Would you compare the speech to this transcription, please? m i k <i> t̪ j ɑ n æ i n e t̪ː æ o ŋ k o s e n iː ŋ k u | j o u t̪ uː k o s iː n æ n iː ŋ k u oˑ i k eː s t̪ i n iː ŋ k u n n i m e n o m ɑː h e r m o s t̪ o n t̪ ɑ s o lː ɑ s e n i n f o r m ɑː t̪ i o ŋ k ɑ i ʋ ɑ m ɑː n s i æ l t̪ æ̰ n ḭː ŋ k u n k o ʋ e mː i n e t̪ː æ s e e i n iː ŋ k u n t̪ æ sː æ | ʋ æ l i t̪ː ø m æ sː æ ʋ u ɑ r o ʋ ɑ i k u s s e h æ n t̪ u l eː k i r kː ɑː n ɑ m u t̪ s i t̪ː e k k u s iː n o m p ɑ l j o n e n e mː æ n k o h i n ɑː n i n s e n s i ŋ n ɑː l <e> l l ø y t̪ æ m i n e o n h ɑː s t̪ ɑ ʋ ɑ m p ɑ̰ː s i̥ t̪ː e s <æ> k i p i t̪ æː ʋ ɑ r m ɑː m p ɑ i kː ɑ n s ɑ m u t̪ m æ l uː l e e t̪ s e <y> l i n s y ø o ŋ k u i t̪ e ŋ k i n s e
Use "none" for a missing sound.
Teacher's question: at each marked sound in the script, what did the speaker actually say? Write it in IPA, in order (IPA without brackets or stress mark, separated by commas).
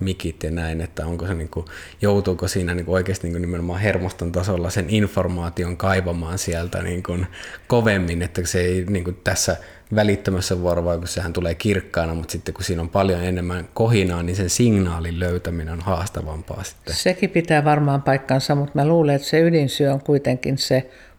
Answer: i, i, e, y